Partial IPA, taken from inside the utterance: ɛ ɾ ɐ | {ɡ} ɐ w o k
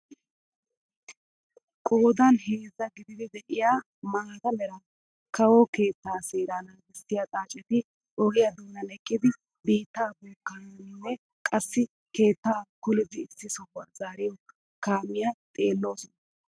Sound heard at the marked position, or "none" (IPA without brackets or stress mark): k